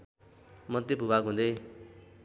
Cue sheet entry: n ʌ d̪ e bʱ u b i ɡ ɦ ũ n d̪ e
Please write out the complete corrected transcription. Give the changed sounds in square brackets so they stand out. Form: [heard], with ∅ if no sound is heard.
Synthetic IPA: [m] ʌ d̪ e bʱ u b [a] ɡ ɦ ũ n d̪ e